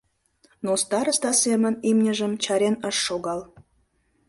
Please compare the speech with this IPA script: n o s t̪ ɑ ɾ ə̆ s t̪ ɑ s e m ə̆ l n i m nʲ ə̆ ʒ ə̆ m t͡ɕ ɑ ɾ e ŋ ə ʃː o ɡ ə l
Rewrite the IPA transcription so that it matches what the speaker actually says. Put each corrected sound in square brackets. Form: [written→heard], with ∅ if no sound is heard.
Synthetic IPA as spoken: n o s t̪ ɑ ɾ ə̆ s t̪ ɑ s e m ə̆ [l→∅] n i m nʲ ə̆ ʒ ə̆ m t͡ɕ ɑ ɾ e [ŋ→n] ə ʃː o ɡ [ə→ɑ] l